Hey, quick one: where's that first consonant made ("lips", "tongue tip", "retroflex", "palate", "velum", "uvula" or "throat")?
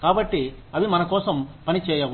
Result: velum